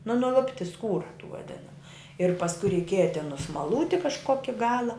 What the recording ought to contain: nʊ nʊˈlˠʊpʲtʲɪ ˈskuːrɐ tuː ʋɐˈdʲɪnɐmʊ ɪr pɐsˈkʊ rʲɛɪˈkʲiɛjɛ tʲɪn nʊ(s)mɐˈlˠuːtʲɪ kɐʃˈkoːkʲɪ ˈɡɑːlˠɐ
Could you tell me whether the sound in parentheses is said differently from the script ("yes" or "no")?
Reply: no